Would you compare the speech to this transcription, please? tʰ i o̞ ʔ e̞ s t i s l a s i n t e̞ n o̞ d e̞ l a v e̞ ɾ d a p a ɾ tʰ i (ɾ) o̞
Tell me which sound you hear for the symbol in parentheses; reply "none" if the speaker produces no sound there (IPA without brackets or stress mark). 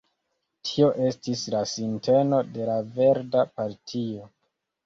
none